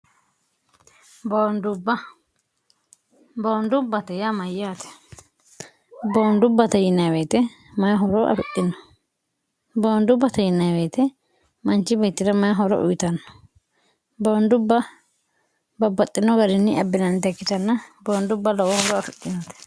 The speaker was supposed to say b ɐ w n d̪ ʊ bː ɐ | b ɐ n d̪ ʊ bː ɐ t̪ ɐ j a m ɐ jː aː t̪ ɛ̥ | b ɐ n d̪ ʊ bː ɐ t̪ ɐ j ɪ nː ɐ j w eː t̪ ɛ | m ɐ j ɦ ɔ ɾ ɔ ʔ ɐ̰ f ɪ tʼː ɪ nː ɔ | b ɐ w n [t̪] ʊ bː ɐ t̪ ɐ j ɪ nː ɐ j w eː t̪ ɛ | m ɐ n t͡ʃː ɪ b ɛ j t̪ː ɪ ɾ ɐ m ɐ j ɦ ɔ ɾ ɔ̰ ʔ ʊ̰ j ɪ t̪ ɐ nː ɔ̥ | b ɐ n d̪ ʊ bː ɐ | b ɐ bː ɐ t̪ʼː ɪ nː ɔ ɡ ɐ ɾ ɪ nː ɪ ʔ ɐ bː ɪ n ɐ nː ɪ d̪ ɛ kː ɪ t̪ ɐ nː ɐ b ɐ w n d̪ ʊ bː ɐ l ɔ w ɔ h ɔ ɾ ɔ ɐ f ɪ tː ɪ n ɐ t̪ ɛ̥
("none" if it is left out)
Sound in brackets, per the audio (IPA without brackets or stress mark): d̪